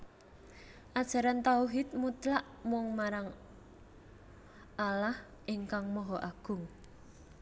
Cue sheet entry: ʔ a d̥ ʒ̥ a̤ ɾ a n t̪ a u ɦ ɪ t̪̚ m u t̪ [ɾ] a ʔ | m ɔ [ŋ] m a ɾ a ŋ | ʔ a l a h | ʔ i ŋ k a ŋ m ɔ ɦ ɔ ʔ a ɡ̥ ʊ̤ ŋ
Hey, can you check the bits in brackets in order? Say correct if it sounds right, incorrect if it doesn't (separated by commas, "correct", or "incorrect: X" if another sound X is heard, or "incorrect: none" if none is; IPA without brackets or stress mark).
incorrect: l, correct